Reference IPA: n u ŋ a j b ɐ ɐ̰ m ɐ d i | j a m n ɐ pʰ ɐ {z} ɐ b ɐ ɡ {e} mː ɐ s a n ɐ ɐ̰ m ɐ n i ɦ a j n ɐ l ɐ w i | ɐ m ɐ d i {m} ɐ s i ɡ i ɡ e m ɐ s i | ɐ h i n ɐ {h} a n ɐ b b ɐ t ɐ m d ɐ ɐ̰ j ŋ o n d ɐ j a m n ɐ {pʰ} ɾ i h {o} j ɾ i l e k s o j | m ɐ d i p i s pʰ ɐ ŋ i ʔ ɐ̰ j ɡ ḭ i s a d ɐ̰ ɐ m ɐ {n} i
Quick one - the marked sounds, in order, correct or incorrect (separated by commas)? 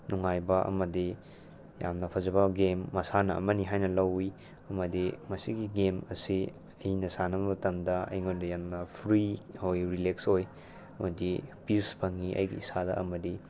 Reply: correct, correct, correct, incorrect, correct, correct, incorrect